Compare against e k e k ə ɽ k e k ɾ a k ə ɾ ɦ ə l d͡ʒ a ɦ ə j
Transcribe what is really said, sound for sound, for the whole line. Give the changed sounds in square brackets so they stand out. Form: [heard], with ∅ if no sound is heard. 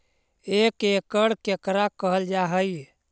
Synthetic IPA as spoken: e k e k ə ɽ k e k ɾ a k ə [∅] ɦ ə l d͡ʒ a ɦ ə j